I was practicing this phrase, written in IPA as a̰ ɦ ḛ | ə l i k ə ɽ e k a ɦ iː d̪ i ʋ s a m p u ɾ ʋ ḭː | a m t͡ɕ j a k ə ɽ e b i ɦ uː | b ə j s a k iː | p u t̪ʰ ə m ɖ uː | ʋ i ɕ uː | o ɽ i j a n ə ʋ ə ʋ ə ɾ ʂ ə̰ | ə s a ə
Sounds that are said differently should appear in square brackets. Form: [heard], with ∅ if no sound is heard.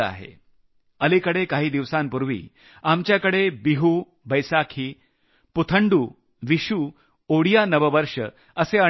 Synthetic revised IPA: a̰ ɦ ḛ | ə l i k ə ɽ e k a ɦ iː d̪ i ʋ s a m p u ɾ ʋ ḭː | a m t͡ɕ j a k ə ɽ e b i ɦ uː | b ə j s a [kʰ] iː | p u t̪ʰ ə [ɳ] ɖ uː | ʋ i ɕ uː | o ɽ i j a n ə ʋ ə ʋ ə ɾ ʂ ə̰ | ə s [e] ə

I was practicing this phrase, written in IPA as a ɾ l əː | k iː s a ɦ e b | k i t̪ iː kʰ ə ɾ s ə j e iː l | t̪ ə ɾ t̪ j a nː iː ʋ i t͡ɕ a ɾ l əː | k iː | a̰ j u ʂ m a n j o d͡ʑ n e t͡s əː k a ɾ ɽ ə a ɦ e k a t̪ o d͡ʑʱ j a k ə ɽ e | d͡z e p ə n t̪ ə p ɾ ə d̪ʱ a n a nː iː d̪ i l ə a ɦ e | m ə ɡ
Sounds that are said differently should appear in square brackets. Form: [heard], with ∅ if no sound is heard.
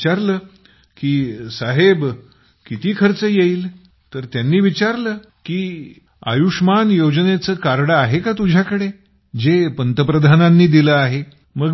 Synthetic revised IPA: a ɾ l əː | k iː s a ɦ e b | k i t̪ iː kʰ ə ɾ [t͡s] ə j e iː l | t̪ ə ɾ t̪ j a nː iː ʋ i t͡ɕ a ɾ l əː | k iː | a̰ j u ʂ m a n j o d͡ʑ n e t͡s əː k a ɾ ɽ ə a ɦ e k a t̪ [u] d͡ʑʱ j a k ə ɽ e | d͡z e p ə n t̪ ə p ɾ ə d̪ʱ a n a nː iː d̪ i l ə a ɦ e | m ə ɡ

